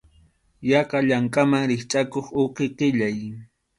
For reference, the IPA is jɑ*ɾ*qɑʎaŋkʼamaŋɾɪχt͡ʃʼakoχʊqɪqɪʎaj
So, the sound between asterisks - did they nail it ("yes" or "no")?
no